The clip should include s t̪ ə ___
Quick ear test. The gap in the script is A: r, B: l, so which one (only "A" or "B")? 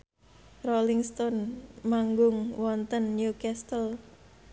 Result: B